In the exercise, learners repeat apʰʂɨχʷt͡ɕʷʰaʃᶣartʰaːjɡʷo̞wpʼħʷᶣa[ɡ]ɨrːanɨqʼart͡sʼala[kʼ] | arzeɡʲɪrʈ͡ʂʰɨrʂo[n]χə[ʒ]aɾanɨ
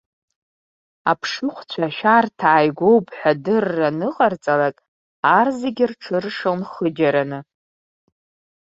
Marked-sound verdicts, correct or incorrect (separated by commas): incorrect, correct, correct, incorrect